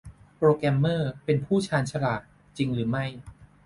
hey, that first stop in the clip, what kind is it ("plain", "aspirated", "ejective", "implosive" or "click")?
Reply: plain